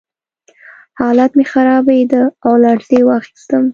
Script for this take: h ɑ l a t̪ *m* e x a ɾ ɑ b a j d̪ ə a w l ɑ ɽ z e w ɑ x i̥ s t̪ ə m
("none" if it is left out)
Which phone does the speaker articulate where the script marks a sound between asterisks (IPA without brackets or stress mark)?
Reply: m